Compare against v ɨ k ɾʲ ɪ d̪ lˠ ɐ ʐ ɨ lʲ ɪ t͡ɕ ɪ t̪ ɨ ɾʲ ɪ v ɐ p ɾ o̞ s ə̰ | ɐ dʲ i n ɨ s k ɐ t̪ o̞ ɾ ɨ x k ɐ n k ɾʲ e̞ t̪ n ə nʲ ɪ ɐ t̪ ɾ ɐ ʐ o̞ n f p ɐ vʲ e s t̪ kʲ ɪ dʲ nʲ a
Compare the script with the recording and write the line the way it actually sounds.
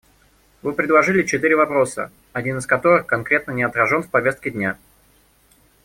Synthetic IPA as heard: v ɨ p ɾʲ ɪ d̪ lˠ ɐ ʐ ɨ lʲ ɪ t͡ɕ ɪ t̪ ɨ ɾʲ ɪ v ɐ p ɾ o̞ s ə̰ | ɐ dʲ i n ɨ s k ɐ t̪ o̞ ɾ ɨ x k ɐ n k ɾʲ e̞ t̪ n ə nʲ ɪ ɐ t̪ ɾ ɐ ʐ o̞ n f p ɐ vʲ e s t̪ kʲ ɪ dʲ nʲ a